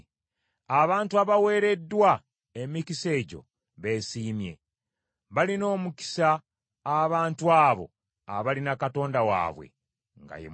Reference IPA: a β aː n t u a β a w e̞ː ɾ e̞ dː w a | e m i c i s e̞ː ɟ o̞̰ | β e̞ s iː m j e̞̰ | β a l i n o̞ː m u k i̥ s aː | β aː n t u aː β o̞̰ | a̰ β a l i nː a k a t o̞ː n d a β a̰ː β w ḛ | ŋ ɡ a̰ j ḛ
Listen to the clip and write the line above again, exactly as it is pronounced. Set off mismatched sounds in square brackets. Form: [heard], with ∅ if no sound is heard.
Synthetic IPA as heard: a β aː n t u a β a w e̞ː ɾ e̞ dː w a | e m i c i s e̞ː ɟ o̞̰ | β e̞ s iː m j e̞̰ | β a l i n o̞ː m u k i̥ s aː | β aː n t u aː β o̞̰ | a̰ β a l i [n] a k a t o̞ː n d a [w] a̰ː β w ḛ | ŋ ɡ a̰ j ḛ